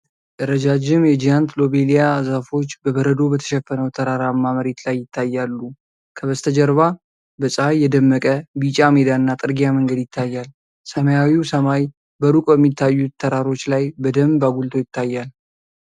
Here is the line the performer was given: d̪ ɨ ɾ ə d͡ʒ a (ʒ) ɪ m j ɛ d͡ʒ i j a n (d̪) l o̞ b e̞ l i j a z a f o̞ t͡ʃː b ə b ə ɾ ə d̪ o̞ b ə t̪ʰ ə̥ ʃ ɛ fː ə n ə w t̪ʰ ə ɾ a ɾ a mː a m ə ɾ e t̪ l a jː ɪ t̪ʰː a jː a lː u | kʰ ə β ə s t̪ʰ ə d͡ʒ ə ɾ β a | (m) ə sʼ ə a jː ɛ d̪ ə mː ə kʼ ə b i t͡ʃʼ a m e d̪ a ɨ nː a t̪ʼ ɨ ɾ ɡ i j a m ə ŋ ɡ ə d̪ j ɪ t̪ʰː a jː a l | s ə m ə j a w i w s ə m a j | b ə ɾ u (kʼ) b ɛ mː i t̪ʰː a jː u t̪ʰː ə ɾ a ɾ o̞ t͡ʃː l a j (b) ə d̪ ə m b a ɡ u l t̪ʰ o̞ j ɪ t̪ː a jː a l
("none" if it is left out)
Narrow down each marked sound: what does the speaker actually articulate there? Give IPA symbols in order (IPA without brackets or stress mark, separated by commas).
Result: d͡ʒ, t̪, b, kʼ, b